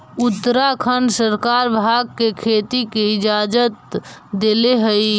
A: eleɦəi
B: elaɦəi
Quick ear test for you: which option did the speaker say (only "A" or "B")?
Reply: A